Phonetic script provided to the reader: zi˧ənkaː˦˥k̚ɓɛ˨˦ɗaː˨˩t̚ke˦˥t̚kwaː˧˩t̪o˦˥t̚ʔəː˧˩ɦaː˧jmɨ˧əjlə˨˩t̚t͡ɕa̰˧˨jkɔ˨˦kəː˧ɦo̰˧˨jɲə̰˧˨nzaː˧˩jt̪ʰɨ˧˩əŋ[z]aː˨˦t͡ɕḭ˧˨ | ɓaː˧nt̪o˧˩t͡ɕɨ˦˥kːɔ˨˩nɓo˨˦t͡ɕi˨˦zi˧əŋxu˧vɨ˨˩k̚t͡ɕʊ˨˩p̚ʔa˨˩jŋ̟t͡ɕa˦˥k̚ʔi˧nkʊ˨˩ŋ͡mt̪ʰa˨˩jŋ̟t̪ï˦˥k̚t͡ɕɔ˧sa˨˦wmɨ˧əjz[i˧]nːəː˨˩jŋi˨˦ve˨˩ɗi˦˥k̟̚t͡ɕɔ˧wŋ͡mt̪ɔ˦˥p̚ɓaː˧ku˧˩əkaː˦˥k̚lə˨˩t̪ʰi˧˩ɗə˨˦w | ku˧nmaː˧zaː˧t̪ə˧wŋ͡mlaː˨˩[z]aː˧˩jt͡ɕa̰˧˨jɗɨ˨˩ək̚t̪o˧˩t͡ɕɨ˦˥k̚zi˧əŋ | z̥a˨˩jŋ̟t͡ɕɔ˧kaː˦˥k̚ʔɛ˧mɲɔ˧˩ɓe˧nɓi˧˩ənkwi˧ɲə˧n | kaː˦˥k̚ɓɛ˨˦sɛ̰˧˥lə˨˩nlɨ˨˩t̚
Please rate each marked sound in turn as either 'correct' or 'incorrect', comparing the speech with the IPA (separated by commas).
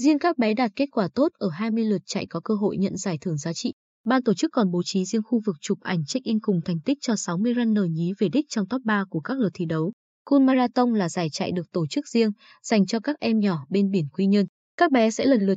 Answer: correct, incorrect, correct